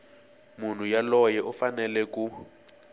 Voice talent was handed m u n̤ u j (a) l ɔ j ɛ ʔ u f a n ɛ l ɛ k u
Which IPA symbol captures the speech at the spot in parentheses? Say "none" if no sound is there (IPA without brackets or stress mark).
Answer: a